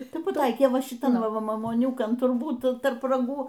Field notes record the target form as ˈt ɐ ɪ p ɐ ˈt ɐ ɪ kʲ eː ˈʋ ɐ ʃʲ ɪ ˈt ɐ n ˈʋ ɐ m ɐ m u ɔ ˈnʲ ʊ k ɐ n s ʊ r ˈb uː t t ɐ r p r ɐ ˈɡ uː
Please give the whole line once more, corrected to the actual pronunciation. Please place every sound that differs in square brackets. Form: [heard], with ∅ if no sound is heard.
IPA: ˈt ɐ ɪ p ɐ ˈt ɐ ɪ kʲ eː ˈʋ ɐ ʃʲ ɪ ˈt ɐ n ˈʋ ɐ m ɐ m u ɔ ˈnʲ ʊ k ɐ n [t] ʊ r ˈb uː t t ɐ r p r ɐ ˈɡ uː

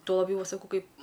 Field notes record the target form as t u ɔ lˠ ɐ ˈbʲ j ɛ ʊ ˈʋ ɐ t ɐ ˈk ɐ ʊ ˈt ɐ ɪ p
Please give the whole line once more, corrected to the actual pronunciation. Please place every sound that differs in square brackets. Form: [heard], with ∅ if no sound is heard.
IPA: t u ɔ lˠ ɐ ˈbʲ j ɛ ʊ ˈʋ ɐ [s] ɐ ˈk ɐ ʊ [ˈk] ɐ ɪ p

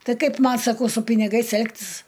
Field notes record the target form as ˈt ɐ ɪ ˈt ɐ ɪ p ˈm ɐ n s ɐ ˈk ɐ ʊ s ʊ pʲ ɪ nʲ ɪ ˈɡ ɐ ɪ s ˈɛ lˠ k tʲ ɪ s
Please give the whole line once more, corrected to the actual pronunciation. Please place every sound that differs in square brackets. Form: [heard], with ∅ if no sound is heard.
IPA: ˈt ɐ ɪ [ˈk] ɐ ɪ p ˈm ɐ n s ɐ ˈk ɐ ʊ s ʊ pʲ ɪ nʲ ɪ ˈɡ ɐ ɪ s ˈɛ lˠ k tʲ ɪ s

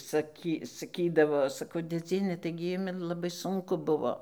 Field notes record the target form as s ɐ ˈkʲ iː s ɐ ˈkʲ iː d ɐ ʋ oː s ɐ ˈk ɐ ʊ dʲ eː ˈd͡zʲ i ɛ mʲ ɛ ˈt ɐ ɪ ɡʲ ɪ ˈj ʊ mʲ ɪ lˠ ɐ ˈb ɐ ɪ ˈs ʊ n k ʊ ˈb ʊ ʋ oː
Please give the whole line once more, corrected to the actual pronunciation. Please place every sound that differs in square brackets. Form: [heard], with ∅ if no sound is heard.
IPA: s ɐ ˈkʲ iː s ɐ ˈkʲ iː d ɐ ʋ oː s ɐ ˈk ɐ ʊ dʲ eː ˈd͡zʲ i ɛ [nʲ] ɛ ˈt ɐ ɪ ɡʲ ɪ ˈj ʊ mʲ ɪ lˠ ɐ ˈb ɐ ɪ ˈs ʊ [ŋ] k ʊ ˈb ʊ ʋ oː

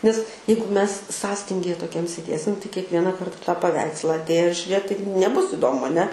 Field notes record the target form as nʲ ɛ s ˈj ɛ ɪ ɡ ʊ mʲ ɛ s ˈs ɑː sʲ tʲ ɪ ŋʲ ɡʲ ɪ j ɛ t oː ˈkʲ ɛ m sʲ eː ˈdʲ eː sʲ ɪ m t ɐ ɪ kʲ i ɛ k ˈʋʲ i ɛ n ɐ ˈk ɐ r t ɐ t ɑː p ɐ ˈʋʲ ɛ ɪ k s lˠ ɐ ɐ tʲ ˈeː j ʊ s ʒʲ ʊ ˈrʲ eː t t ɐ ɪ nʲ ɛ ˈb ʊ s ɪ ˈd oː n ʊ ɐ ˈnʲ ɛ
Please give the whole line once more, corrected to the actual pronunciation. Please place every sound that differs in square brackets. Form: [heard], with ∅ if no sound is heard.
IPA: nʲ ɛ s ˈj ɛ ɪ ɡ ʊ mʲ ɛ s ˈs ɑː sʲ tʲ ɪ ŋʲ ɡʲ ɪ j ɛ t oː ˈkʲ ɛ m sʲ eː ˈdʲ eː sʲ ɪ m t ɐ ɪ kʲ i ɛ k ˈʋʲ i ɛ n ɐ ˈk ɐ r t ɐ t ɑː p ɐ ˈʋʲ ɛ ɪ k s lˠ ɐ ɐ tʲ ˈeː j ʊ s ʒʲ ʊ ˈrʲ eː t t ɐ ɪ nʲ ɛ ˈb ʊ s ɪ ˈd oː [m] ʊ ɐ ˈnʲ ɛ

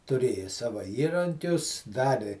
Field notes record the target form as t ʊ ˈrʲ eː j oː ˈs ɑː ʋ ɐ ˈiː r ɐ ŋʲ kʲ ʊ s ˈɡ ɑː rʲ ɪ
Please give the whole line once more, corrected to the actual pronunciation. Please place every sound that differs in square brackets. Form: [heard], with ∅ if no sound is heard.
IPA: t ʊ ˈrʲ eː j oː ˈs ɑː ʋ ɐ ˈiː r ɐ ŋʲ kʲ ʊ s [ˈd] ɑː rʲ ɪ

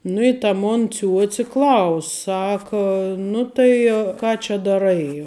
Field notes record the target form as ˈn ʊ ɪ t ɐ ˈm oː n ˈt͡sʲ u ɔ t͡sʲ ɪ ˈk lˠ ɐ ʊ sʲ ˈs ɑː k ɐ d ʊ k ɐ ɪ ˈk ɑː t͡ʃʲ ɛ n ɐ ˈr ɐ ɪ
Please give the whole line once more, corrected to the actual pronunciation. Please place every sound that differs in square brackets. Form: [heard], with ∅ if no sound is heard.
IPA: ˈn ʊ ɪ t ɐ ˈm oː n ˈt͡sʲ u ɔ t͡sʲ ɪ ˈk lˠ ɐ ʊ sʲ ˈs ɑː k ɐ [n] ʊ [t] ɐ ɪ ˈk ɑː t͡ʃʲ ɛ [d] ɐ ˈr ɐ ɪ

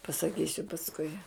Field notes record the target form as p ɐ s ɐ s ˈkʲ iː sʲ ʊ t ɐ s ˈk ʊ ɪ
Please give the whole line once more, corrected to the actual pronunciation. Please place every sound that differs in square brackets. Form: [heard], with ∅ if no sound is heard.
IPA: p ɐ s ɐ [∅] ˈkʲ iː sʲ ʊ [p] ɐ s ˈk ʊ ɪ

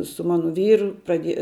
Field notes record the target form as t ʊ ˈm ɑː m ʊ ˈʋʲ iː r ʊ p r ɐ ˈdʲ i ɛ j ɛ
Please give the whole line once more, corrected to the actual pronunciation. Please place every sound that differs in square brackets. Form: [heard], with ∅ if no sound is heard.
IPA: [s] ʊ ˈm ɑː [n] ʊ ˈʋʲ iː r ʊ p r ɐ ˈdʲ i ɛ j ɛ

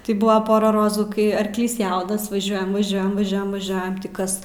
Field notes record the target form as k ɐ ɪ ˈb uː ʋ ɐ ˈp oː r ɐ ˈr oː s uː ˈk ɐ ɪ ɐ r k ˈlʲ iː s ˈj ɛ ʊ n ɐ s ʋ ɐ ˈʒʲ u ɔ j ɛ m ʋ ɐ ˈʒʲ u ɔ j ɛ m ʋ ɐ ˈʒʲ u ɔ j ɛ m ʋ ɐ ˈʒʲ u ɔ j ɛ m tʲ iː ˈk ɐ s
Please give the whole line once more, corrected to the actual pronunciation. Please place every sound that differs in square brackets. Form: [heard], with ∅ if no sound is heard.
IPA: [t] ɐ ɪ ˈb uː ʋ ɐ ˈp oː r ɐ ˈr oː [z] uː ˈk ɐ ɪ ɐ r k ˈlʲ iː s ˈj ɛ ʊ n ɐ s ʋ ɐ ˈʒʲ u ɔ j ɛ m ʋ ɐ ˈʒʲ u ɔ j ɛ m ʋ ɐ ˈʒʲ u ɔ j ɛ m ʋ ɐ ˈʒʲ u ɔ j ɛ m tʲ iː ˈk ɐ s

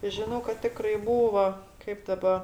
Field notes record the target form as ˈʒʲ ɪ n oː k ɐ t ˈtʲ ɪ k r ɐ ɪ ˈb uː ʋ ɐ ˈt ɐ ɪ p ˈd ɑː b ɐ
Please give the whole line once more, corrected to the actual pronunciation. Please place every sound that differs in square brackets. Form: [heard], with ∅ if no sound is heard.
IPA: ˈʒʲ ɪ n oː k ɐ t ˈtʲ ɪ k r ɐ ɪ ˈb uː ʋ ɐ [ˈk] ɐ ɪ p ˈd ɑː b ɐ

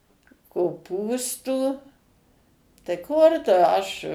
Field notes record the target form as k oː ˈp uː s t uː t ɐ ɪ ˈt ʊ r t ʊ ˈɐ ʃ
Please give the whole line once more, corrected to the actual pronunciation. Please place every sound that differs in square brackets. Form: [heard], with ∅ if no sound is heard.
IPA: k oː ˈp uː s t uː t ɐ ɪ [ˈk] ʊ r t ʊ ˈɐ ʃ

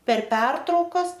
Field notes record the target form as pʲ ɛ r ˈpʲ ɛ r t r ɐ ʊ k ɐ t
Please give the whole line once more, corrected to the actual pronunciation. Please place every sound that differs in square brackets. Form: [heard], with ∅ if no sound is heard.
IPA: pʲ ɛ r ˈpʲ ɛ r t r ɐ ʊ k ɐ [s]

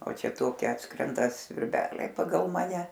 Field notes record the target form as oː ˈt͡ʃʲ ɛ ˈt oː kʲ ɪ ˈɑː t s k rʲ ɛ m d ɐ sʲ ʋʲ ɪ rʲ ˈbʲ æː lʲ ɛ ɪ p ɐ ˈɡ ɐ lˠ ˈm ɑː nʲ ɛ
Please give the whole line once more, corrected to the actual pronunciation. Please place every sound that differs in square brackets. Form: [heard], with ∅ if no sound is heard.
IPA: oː ˈt͡ʃʲ ɛ ˈt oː kʲ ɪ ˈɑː t s k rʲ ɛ [n] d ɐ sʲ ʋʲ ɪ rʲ ˈbʲ æː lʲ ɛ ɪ p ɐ ˈɡ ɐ lˠ ˈm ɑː nʲ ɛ

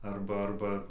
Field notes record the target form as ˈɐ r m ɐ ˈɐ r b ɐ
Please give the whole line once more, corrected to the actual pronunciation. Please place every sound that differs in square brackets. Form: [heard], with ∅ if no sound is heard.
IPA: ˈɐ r [b] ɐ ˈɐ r b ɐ

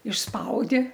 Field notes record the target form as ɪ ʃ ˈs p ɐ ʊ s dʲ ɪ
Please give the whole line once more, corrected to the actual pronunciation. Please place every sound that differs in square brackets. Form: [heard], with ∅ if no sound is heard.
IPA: ɪ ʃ ˈs p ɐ ʊ [∅] dʲ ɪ

